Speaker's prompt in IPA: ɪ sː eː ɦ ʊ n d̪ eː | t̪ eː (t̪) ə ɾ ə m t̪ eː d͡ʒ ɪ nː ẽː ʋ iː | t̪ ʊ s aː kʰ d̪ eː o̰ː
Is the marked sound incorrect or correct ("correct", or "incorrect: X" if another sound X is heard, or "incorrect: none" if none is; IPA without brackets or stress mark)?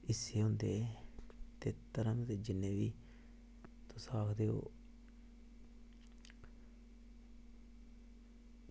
correct